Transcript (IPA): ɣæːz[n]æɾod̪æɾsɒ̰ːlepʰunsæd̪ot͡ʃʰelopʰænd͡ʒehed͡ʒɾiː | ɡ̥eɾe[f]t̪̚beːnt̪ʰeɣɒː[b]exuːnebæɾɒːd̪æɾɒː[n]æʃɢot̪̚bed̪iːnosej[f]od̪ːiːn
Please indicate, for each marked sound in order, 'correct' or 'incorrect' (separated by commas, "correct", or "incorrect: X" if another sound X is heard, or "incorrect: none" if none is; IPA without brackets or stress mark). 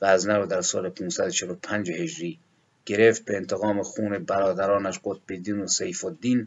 correct, correct, incorrect: m, correct, correct